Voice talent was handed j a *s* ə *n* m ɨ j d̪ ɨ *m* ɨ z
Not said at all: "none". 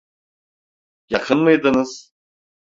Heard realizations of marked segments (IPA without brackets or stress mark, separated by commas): χ, n, n